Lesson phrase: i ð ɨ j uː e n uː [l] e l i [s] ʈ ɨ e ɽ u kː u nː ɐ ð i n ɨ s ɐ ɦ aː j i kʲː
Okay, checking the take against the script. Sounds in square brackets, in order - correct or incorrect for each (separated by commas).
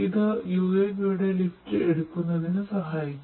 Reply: incorrect, incorrect